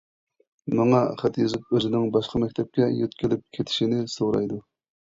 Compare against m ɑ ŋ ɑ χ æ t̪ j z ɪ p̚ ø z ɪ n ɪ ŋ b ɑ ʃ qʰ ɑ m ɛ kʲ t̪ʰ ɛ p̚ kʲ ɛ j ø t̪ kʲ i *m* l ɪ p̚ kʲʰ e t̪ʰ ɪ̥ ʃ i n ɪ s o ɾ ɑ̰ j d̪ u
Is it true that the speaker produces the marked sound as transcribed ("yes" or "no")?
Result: no